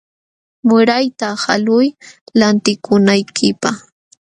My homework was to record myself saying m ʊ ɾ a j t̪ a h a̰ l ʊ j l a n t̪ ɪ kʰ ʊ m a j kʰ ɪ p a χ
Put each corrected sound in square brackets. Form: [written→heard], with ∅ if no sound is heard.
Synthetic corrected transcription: m ʊ ɾ a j t̪ a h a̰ l ʊ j l a n t̪ ɪ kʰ ʊ [m→n] a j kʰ ɪ p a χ

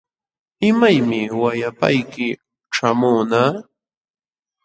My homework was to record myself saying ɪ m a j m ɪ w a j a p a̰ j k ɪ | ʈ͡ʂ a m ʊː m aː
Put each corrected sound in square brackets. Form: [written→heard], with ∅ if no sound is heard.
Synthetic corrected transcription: ɪ m a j m ɪ w a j a p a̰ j k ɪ | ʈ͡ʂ a m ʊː [m→n] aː

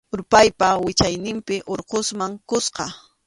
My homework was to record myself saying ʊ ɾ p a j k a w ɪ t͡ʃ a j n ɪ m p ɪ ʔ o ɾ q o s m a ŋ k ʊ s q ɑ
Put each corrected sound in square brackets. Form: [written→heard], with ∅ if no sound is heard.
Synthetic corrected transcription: ʊ ɾ p a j [k→p] a w ɪ t͡ʃ a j n ɪ m p ɪ ʔ o ɾ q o s m a ŋ k ʊ s q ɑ

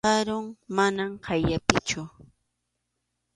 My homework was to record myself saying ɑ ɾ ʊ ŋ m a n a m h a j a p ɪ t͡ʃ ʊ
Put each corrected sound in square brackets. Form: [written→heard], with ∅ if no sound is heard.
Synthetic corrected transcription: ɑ ɾ ʊ ŋ m a n a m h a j a p ɪ t͡ʃ ʊ

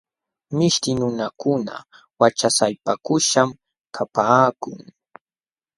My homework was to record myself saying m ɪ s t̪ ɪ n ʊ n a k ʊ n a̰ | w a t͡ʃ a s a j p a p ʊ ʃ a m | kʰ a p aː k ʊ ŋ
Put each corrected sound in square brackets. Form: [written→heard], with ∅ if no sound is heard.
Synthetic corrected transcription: m ɪ [s→ʃ] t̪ ɪ n ʊ n a k ʊ n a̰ | w a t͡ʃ a s a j p a [p→k] ʊ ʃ a m | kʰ a p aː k ʊ ŋ

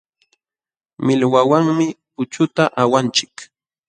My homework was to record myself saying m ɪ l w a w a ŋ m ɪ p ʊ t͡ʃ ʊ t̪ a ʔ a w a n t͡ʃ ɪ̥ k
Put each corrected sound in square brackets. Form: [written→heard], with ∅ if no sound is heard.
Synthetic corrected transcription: m ɪ l w a w a ŋ m ɪ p ʊ t͡ʃ ʊ t̪ a ʔ a w a n t͡ʃ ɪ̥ k

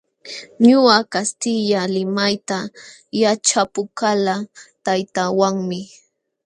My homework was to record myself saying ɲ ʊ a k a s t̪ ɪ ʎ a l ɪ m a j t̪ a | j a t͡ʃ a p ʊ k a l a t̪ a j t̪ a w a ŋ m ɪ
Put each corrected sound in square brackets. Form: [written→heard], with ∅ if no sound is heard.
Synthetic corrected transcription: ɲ ʊ a k a s t̪ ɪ ʎ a l ɪ m a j t̪ a | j a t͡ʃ a p ʊ k a l a t̪ a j t̪ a w a ŋ m ɪ

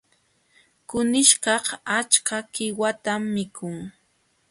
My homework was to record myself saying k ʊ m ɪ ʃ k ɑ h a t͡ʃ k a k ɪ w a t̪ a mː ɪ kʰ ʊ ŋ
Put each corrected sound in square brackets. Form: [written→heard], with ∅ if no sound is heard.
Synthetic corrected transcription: k ʊ [m→n] ɪ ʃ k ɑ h a t͡ʃ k a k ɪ w a t̪ a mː ɪ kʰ ʊ ŋ

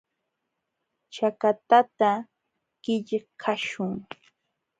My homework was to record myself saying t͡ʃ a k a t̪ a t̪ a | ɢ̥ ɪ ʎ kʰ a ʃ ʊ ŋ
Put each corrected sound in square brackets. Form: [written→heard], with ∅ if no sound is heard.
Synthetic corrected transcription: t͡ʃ a k a t̪ a t̪ a | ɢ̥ ɪ ʎ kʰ a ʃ ʊ ŋ

